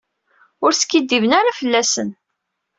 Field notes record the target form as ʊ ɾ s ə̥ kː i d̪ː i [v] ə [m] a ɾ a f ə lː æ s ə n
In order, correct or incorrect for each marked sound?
correct, incorrect

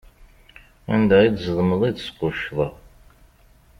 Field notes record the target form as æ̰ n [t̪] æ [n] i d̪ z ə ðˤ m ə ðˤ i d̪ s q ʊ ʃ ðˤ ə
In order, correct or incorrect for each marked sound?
incorrect, incorrect

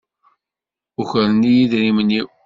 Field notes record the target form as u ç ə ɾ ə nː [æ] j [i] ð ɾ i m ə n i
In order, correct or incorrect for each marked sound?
incorrect, correct

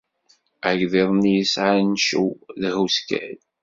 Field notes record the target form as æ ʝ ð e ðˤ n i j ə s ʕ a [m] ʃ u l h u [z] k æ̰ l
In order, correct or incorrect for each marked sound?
incorrect, incorrect

